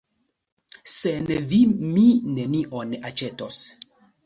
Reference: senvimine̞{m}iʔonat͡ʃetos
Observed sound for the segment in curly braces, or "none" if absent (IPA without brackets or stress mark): n